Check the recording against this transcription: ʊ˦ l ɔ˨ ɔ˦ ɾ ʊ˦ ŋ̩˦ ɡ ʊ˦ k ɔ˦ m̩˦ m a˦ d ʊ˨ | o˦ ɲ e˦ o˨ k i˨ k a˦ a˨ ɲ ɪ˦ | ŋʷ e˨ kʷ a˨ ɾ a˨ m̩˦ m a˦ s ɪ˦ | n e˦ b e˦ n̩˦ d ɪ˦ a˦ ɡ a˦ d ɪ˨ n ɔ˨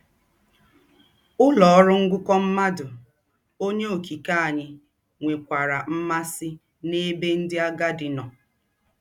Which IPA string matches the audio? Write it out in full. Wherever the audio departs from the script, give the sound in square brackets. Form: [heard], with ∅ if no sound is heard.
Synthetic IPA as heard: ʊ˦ l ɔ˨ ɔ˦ ɾ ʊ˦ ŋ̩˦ ɡ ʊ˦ k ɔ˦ m̩˦ m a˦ d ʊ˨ | o˦ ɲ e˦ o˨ k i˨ k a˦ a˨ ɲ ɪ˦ | ŋʷ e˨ kʷ a˨ ɾ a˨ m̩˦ m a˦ s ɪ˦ | n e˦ b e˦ n̩˦ d ɪ˦ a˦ ɡ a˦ d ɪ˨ n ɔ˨